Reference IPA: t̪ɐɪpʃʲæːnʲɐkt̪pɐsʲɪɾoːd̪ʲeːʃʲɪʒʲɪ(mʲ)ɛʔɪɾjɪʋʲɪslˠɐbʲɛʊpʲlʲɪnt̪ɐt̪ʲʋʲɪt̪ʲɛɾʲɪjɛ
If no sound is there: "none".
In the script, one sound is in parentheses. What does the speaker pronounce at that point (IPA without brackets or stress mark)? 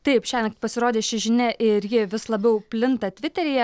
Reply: nʲ